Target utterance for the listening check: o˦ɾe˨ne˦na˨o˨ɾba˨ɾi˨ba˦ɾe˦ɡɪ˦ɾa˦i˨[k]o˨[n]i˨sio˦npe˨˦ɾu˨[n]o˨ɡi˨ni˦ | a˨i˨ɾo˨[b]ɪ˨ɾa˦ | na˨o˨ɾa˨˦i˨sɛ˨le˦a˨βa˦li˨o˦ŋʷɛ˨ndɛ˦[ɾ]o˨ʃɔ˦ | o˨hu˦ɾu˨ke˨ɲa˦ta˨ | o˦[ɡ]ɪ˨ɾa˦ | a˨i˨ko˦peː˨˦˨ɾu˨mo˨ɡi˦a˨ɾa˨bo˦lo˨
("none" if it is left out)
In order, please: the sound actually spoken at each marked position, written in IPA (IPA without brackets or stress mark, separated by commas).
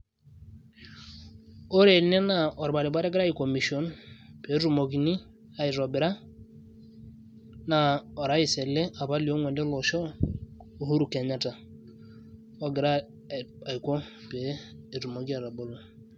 k, m, m, b, l, ɡ